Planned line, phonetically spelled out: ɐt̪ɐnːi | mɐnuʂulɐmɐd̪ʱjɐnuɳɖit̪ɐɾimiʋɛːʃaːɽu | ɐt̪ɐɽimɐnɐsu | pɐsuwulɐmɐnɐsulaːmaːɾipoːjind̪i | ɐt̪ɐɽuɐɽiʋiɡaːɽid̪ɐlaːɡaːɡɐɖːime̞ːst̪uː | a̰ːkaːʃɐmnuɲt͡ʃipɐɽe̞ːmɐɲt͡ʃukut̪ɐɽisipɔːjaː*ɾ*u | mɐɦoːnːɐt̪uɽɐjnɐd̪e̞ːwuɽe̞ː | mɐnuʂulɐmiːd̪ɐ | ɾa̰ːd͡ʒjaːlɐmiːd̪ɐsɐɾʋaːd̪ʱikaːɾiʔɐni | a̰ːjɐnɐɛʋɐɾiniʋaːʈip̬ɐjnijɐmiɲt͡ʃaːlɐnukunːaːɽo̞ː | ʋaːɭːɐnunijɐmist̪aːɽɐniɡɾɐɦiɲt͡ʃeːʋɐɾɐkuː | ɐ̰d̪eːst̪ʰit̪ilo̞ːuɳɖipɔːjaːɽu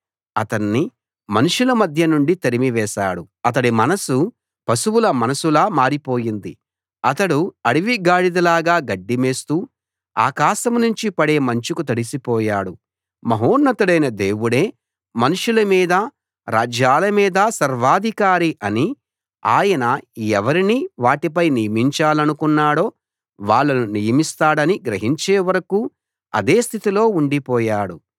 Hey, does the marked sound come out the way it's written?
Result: no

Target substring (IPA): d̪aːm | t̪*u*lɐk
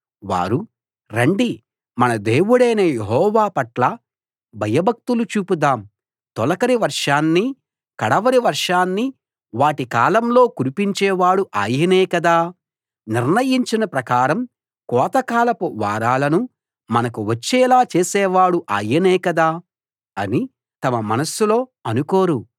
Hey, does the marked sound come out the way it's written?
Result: no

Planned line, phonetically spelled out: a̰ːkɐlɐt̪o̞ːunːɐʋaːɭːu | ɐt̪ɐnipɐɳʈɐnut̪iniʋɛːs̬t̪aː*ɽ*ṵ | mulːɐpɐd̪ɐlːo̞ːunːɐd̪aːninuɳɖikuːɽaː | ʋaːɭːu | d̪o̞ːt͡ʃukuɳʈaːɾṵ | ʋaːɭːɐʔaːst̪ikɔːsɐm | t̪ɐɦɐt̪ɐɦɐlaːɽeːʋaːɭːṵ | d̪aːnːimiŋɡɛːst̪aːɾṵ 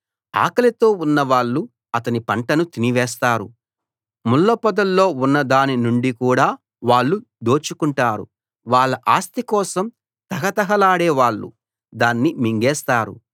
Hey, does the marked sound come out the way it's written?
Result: no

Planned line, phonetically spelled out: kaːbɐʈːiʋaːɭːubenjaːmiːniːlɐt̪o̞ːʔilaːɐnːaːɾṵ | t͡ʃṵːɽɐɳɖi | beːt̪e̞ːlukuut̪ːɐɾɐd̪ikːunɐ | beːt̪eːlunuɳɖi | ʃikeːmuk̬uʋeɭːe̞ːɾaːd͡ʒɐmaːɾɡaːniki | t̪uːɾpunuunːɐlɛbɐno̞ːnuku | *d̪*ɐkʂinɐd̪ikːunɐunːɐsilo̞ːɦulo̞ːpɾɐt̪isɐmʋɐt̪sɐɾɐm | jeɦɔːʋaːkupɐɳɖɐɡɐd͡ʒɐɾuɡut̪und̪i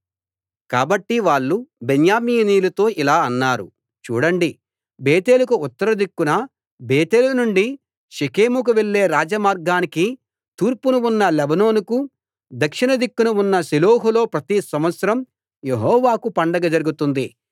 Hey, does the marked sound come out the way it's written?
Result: yes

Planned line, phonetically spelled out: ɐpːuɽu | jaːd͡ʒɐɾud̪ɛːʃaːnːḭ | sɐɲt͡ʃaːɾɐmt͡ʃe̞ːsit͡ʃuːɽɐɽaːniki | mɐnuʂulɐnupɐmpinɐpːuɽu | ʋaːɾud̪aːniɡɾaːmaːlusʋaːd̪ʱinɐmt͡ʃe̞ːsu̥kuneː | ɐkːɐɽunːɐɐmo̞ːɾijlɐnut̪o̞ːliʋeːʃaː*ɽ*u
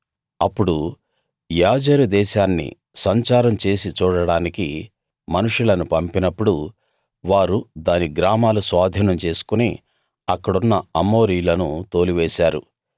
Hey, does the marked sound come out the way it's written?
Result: no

